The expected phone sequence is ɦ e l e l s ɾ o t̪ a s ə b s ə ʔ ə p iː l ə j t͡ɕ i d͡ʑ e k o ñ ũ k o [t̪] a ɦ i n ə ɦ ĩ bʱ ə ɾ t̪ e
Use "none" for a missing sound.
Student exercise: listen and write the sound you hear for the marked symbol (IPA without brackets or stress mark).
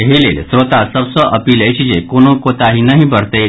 t̪